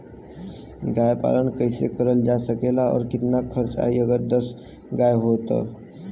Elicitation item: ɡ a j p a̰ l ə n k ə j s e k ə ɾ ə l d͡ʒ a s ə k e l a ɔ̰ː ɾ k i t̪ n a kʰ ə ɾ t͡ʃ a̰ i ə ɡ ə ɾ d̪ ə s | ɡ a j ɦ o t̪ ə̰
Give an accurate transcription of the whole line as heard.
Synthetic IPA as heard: ɡ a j p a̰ l ə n k ə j s e k ə ɾ ə l d͡ʒ a s ə k e l a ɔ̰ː ɾ k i t̪ n a kʰ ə ɾ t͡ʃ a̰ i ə ɡ ə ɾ d̪ ə s | ɡ a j ɦ o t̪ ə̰